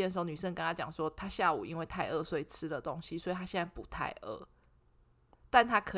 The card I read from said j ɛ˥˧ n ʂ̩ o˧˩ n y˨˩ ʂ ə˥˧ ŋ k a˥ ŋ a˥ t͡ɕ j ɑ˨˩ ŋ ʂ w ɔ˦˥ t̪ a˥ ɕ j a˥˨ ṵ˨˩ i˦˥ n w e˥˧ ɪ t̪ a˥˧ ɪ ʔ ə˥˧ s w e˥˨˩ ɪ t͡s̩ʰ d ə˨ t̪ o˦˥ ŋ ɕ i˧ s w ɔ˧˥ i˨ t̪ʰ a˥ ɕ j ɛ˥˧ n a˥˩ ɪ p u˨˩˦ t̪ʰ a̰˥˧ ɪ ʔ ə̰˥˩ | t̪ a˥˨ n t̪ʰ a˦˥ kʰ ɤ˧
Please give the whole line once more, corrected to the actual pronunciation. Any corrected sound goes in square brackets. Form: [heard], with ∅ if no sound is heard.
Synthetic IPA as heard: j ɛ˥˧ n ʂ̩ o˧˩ n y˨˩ ʂ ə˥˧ ŋ k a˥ ŋ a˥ t͡ɕ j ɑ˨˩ ŋ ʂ w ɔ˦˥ [t̪ʰ] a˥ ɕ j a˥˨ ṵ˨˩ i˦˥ n w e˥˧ ɪ [t̪ʰ] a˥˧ ɪ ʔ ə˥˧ s w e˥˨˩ ɪ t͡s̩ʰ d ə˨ t̪ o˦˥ ŋ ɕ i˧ s w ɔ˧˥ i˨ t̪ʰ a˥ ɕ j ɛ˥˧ n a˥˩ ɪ p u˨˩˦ t̪ʰ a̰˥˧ ɪ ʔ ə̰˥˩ | t̪ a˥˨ n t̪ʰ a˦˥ kʰ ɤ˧